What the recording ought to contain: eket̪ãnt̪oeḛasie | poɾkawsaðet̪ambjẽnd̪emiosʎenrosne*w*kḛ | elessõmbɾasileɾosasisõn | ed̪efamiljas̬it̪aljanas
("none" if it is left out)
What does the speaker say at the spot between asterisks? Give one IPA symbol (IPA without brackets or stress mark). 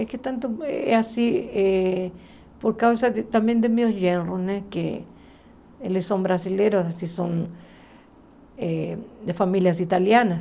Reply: none